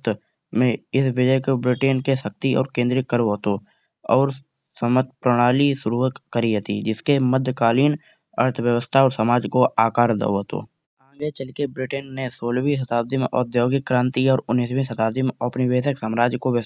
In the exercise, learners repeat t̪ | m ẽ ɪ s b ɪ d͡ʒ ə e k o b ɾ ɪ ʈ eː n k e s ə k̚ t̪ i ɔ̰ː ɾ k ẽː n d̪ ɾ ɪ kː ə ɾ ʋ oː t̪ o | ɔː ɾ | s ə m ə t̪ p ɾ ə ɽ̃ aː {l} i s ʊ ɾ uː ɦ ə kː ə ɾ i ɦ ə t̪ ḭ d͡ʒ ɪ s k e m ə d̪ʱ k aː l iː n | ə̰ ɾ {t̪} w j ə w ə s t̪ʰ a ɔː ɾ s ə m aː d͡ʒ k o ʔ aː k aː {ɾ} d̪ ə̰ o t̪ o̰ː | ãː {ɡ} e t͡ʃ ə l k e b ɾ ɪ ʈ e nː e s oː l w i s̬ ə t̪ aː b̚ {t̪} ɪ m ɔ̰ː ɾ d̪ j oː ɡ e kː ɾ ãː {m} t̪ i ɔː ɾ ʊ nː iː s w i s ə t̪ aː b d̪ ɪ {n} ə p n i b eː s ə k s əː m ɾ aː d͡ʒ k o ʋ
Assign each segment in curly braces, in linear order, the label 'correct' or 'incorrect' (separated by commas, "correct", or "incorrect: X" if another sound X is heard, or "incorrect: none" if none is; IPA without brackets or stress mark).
correct, incorrect: t̪ʰ, correct, correct, incorrect: d̪, incorrect: n, incorrect: m